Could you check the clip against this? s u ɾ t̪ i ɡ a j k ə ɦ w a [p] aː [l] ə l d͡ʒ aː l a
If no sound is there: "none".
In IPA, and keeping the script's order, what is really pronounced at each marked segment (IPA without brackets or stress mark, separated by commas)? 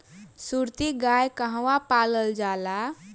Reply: p, l